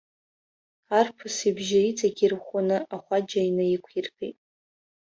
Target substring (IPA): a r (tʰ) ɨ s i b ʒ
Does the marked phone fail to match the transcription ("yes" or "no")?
yes